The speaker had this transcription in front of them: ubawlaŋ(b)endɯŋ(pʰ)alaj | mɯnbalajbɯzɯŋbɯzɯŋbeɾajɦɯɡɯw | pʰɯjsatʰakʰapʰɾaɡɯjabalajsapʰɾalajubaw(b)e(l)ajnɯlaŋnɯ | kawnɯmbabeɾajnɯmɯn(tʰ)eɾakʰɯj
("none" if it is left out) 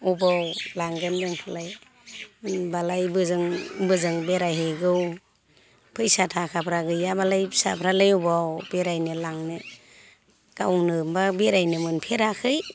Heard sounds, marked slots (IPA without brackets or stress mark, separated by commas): ɡ, pʰ, b, ɾ, pʰ